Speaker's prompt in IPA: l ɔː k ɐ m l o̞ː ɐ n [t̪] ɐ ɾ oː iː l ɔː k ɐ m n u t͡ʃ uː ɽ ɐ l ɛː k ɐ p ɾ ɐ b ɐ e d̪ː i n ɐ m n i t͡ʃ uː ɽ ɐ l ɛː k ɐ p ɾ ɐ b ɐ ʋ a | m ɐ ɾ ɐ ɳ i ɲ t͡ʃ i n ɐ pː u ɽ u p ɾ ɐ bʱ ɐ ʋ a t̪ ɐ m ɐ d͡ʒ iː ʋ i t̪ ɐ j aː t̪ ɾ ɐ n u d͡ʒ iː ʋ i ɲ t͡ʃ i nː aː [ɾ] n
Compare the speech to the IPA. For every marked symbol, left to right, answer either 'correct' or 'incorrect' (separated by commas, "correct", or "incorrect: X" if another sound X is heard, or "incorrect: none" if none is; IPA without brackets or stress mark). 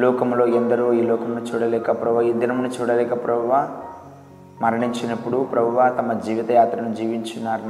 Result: incorrect: d̪, correct